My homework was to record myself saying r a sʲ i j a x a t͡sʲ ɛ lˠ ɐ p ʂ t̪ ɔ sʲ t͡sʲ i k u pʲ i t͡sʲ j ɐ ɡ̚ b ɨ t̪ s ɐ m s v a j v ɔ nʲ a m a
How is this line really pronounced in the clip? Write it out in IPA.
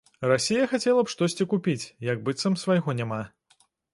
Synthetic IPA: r a sʲ i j ɐ x a t͡sʲ ɛ lˠ ɐ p ʂ t̪ ɔ sʲ t͡sʲ i k u pʲ i t͡sʲ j ɐ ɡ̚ b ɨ t̪ s ɐ m s v a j ɣ ɔ nʲ a m a